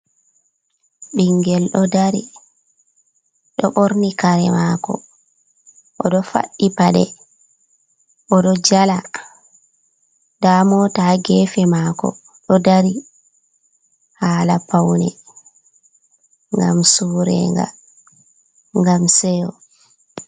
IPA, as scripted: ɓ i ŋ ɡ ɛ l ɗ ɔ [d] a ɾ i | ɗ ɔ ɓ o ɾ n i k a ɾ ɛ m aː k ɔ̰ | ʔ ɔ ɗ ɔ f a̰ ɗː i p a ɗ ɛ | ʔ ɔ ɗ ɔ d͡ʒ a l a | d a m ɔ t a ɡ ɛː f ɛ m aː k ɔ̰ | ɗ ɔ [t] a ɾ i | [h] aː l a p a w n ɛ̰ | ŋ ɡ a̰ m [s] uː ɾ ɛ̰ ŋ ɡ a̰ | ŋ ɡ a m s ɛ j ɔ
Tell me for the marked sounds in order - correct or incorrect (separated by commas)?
correct, incorrect, correct, correct